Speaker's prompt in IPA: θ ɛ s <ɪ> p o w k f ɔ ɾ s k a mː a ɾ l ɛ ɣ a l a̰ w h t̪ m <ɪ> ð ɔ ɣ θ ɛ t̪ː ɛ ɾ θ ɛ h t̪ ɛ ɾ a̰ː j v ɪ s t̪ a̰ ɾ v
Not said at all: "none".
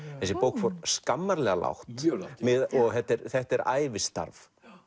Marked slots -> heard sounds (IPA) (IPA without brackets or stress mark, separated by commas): ɪ, ɪ